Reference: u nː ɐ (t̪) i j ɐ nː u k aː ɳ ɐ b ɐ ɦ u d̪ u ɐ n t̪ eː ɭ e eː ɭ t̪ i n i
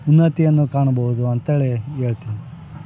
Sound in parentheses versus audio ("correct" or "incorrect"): correct